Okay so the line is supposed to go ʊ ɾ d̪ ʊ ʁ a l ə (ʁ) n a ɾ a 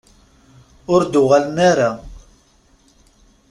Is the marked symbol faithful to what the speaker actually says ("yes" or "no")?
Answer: no